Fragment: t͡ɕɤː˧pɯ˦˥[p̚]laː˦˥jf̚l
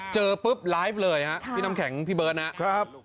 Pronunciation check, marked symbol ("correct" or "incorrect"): correct